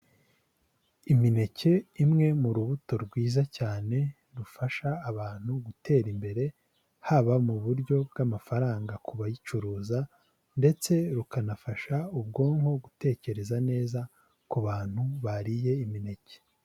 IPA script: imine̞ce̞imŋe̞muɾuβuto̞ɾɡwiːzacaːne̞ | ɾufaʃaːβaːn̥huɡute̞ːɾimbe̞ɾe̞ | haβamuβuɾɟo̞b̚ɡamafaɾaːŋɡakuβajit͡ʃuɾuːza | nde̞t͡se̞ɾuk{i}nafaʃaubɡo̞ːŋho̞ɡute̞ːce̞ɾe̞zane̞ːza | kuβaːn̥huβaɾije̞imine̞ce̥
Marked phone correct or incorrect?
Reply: incorrect